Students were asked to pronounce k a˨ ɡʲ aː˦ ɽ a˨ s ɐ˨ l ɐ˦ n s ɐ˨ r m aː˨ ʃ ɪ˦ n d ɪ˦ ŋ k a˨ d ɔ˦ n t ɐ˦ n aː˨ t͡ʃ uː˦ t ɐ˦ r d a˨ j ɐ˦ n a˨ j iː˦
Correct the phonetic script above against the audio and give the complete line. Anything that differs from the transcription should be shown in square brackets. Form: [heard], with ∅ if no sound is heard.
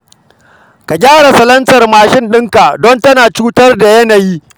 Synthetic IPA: k a˨ ɡʲ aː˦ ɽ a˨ s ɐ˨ l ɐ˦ n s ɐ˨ r m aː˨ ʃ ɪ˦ n [ɗ] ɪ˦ ŋ k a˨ d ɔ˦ n t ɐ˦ n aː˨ t͡ʃ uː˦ t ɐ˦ r d a˨ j ɐ˦ n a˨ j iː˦